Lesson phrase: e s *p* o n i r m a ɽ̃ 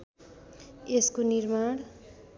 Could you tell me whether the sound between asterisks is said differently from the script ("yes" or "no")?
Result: yes